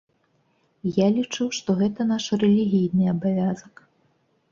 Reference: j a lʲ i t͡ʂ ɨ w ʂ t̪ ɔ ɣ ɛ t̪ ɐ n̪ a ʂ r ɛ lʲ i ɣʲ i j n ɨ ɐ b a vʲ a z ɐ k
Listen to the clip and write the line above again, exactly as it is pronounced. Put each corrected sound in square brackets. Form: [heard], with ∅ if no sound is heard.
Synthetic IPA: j a lʲ i t͡ʂ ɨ w ʂ t̪ ɔ ɣ ɛ t̪ ɐ n̪ a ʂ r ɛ lʲ i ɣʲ i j n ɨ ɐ b a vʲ a z ɐ k